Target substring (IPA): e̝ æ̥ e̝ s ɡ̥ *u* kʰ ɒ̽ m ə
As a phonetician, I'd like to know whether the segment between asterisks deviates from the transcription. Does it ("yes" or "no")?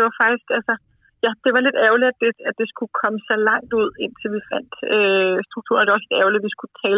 no